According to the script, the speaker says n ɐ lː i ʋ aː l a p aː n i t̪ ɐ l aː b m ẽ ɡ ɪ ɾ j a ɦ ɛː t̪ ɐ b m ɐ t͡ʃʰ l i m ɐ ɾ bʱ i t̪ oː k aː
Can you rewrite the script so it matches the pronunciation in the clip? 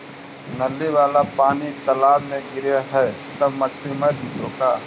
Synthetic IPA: n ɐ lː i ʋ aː l a p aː n i t̪ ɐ l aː b m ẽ ɡ ɪ ɾ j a ɦ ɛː t̪ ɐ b m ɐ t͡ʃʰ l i m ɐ ɾ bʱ i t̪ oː k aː